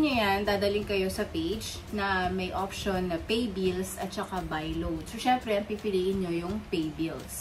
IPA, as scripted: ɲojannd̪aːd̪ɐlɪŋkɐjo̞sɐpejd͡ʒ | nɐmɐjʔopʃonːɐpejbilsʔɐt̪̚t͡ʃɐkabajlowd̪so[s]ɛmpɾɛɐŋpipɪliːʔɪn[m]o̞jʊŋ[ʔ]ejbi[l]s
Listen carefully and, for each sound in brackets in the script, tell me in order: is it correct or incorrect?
incorrect: ʃ, incorrect: ɲ, incorrect: p, correct

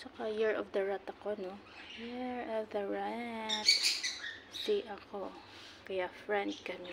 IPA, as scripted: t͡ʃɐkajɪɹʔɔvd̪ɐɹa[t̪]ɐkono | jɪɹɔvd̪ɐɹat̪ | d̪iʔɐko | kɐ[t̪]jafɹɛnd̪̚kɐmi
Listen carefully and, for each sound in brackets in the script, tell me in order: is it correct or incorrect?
correct, incorrect: none

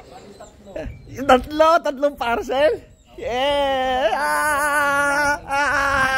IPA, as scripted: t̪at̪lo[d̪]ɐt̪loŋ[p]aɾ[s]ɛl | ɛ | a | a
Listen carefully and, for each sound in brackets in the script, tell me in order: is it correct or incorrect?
incorrect: t̪, correct, correct

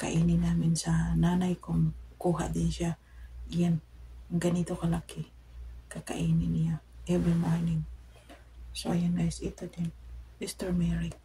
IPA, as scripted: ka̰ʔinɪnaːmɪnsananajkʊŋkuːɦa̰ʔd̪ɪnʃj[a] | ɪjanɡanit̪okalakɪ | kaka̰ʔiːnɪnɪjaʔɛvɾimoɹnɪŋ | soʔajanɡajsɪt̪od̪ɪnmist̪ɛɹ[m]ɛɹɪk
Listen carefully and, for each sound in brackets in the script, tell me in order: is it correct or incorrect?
correct, correct

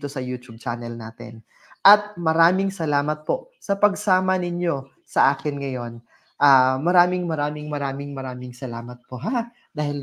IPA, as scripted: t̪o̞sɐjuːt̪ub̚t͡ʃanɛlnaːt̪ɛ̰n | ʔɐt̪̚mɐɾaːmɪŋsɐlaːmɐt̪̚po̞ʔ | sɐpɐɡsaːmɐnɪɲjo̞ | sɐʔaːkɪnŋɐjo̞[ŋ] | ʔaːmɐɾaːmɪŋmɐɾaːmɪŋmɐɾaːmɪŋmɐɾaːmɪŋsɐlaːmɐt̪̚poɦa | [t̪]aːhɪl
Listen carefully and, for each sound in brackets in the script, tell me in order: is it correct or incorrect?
incorrect: n, incorrect: d̪

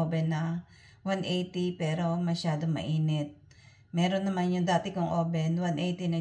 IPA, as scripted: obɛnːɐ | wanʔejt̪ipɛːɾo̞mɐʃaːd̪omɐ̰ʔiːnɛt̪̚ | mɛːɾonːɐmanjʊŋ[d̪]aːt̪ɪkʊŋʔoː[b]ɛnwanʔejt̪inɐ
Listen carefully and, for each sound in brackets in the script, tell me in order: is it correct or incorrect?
correct, correct

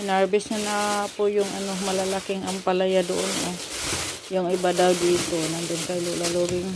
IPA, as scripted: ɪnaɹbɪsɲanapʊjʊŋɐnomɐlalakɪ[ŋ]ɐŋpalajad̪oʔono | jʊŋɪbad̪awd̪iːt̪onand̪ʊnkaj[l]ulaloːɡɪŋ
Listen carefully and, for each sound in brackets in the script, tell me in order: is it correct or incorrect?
correct, correct

